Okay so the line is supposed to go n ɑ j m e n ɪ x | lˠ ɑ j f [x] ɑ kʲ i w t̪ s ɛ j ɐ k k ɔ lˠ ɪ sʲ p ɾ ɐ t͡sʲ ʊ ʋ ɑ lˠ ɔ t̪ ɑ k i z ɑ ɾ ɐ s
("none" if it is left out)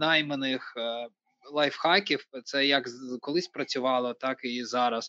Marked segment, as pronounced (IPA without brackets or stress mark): x